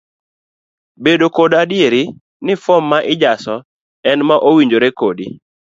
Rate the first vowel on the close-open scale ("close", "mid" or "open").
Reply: mid